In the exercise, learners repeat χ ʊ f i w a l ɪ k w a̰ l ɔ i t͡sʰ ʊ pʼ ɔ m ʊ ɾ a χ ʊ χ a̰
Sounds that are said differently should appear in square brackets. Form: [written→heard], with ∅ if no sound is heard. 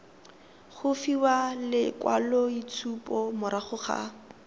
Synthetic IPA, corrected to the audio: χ ʊ f i w a l ɪ k w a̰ l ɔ i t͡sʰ [ʊ→u] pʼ ɔ m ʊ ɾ a χ ʊ χ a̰